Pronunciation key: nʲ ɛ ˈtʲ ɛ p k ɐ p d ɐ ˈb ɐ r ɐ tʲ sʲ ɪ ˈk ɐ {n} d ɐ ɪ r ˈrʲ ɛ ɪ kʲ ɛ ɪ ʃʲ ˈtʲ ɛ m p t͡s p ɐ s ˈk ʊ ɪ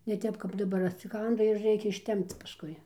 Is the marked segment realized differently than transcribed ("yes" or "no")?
no